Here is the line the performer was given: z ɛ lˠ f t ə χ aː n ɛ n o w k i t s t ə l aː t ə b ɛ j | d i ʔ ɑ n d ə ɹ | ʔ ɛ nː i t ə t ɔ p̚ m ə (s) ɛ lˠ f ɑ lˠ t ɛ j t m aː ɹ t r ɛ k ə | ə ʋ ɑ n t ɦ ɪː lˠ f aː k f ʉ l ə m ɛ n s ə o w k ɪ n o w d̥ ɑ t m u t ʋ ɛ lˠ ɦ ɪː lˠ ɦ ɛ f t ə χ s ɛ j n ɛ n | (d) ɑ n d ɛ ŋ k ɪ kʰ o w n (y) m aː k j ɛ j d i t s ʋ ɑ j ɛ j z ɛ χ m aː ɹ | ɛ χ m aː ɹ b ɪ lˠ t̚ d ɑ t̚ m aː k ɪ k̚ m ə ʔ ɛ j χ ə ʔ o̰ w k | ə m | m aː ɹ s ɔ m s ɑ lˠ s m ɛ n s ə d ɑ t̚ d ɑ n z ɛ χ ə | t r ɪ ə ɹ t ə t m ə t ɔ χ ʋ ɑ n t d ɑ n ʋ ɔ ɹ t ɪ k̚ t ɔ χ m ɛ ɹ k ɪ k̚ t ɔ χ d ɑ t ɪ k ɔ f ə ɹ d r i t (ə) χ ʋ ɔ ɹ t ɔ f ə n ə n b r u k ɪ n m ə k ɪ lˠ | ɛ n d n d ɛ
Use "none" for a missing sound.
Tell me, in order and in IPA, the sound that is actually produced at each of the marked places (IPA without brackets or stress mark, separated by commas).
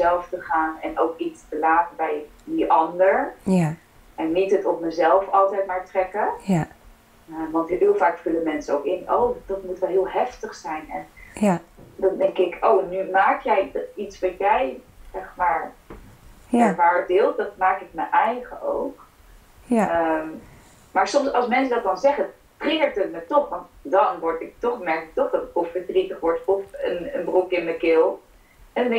z, d, y, ə